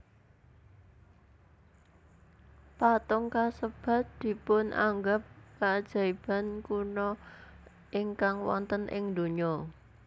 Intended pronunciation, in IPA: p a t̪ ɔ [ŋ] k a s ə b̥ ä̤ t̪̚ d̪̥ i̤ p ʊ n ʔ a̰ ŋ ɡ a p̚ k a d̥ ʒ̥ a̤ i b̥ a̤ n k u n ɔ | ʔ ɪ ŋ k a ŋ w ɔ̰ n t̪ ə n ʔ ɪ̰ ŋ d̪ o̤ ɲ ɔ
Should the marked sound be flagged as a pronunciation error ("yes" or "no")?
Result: no